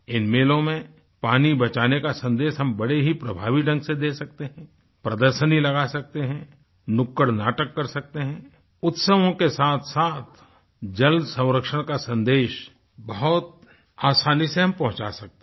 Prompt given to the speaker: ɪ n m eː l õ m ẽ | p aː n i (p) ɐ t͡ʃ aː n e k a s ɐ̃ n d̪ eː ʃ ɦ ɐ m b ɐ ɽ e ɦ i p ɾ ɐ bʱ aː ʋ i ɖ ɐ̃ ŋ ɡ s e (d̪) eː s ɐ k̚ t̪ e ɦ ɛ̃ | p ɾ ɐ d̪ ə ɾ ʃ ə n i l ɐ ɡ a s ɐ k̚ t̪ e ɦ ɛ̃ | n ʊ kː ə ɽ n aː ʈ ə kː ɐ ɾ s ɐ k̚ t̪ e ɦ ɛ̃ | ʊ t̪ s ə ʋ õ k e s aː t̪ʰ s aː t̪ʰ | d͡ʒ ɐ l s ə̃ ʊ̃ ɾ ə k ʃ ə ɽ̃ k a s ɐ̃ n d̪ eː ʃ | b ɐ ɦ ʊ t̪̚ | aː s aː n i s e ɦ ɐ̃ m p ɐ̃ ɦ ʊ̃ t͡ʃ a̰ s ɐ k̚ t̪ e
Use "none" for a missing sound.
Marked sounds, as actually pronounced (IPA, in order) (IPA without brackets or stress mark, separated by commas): b, d̪